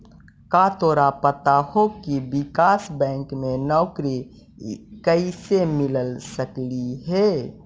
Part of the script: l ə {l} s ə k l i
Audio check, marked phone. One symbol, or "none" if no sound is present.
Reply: l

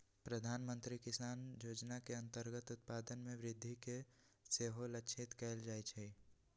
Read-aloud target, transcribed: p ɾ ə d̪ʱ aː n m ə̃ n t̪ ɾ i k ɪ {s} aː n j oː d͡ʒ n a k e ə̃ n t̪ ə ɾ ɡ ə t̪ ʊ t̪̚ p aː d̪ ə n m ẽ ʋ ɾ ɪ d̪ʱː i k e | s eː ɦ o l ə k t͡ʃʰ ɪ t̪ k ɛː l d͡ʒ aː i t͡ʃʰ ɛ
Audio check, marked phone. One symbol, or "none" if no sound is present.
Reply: s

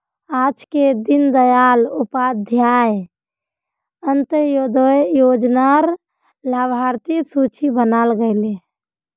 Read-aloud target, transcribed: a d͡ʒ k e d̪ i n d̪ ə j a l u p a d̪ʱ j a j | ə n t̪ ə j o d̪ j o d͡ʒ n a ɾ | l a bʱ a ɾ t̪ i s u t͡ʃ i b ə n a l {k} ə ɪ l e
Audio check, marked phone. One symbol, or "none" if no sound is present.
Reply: ɡ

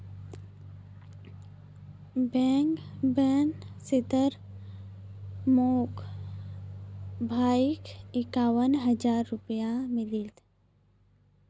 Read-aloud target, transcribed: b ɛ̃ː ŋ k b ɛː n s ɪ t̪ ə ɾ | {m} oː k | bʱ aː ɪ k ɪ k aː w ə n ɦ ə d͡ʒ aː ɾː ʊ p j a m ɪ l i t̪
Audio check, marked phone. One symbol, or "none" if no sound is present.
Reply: m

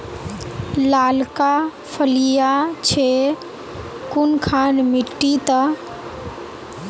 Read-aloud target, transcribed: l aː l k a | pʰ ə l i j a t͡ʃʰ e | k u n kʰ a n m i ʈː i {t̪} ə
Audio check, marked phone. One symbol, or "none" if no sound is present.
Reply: t̪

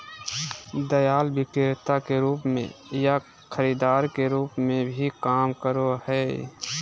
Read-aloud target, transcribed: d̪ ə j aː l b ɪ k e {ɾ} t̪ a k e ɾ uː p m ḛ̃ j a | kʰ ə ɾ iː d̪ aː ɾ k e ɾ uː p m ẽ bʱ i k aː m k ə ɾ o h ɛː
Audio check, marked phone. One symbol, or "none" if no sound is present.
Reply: ɾ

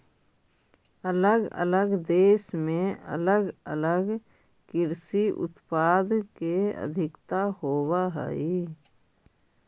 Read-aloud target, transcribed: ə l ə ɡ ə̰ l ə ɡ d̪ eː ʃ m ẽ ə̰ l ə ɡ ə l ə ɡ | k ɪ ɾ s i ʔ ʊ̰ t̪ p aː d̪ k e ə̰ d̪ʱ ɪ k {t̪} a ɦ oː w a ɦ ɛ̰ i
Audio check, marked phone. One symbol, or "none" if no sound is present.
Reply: t̪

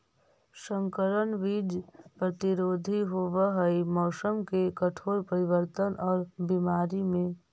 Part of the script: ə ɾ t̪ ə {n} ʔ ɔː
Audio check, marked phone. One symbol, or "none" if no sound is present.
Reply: n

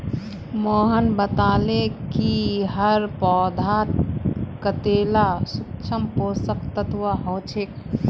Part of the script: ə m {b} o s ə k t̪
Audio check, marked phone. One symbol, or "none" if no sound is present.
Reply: p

